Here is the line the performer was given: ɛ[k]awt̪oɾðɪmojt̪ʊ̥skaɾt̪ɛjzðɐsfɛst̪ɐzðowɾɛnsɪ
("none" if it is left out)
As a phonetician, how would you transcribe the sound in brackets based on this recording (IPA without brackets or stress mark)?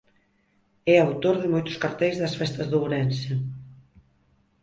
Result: none